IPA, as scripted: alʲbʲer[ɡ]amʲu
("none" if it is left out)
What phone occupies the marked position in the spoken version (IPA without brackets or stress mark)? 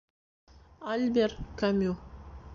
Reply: k